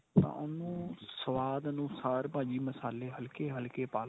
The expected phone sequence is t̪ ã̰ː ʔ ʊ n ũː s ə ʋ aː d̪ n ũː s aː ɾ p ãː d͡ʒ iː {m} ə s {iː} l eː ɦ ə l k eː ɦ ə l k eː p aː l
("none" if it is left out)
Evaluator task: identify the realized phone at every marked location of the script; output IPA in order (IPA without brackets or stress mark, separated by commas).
m, aː